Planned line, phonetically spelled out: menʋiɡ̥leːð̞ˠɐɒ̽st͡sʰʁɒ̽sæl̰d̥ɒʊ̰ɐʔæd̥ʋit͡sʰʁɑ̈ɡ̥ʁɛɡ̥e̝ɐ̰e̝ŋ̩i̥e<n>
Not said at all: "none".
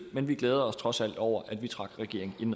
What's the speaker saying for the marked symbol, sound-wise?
n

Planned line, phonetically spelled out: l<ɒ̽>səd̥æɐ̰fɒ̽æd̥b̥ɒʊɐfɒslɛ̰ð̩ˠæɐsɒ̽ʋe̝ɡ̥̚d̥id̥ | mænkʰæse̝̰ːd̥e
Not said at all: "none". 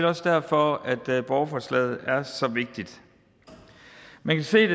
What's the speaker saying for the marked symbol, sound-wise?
ɒ̽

